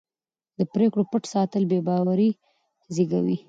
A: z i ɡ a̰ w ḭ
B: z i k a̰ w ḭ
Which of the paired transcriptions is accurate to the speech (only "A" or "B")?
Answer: A